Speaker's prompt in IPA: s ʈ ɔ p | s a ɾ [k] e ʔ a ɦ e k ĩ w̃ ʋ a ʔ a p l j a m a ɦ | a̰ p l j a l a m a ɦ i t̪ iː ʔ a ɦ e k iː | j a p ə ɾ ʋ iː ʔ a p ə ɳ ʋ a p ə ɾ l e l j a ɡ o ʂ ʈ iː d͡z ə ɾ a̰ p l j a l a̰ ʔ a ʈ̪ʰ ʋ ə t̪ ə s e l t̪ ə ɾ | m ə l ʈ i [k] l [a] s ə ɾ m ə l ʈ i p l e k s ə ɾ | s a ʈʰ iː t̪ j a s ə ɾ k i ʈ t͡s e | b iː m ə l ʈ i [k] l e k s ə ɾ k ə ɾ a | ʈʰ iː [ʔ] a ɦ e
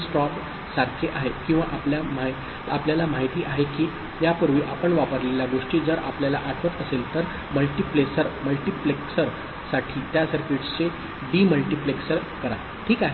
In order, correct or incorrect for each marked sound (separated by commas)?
incorrect, incorrect, incorrect, incorrect, incorrect